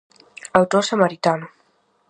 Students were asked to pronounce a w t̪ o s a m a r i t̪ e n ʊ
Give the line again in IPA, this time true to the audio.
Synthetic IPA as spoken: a w t̪ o s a m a ɾ i t̪ a n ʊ